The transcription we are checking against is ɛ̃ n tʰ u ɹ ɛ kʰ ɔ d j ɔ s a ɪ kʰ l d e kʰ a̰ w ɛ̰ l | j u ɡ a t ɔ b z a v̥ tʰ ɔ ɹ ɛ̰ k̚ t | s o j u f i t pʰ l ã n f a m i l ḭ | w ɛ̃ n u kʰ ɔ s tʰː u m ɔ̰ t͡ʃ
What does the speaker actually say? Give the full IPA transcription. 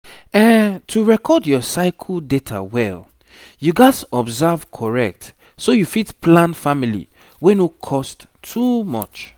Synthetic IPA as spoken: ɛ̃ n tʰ u ɹ ɛ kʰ ɔ d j ɔ s a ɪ kʰ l d e tʰ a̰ w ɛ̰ l | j u ɡ a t ɔ b z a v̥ kʰ ɔ ɹ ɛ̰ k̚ t | s o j u f i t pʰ l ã n f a m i l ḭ | w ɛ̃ n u kʰ ɔ s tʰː u m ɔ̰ t͡ʃ

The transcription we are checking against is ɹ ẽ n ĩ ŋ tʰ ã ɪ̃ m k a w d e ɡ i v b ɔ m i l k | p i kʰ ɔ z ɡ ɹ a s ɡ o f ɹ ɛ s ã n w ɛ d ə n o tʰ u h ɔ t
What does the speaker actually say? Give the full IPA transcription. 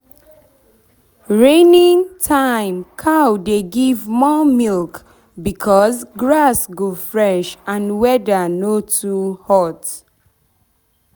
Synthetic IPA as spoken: ɹ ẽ n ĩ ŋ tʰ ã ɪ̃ m kʰ a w d e ɡ i v m ɔ m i l k | b i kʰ ɔ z ɡ ɹ a s ɡ o f ɹ ɛ ʃ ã n w ɛ d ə n o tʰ u h ɔ t

